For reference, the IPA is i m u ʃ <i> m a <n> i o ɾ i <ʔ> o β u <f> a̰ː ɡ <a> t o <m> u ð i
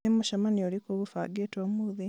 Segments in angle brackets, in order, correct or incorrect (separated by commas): incorrect, correct, incorrect, correct, incorrect, correct